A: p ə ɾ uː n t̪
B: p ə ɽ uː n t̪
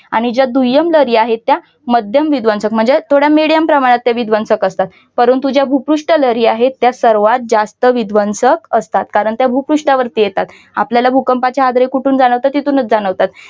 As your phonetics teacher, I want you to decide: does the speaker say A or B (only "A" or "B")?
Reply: A